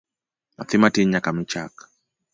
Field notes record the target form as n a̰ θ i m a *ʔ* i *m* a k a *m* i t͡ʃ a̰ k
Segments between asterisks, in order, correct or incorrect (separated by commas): incorrect, incorrect, correct